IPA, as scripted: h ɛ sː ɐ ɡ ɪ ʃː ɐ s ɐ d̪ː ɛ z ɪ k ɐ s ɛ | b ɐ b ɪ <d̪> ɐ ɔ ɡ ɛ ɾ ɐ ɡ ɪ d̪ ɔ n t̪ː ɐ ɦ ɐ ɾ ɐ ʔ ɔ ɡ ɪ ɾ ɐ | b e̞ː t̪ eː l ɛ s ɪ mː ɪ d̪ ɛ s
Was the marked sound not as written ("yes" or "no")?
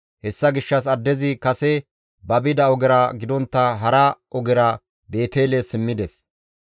no